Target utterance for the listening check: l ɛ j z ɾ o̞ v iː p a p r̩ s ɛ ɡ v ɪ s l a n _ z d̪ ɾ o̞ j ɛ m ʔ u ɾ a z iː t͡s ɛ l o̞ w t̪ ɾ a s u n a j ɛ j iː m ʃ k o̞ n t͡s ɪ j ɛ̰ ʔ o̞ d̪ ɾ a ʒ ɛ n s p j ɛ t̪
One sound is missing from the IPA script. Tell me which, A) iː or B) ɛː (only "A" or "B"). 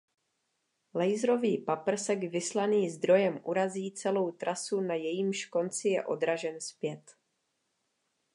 A